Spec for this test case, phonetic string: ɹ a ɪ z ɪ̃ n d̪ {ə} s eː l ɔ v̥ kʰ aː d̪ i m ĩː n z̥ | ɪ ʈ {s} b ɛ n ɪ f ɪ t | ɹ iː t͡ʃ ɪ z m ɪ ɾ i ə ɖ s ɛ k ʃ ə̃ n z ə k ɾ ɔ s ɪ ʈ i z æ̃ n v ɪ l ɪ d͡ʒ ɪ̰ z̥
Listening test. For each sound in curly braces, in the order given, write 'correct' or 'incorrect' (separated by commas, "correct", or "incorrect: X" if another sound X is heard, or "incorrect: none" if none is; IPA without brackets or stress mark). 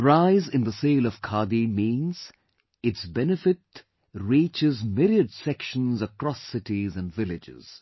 correct, correct